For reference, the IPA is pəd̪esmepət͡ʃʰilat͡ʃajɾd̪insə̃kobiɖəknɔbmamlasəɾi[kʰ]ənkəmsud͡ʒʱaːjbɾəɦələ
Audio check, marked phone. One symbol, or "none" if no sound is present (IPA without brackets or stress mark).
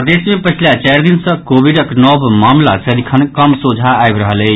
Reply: kʰ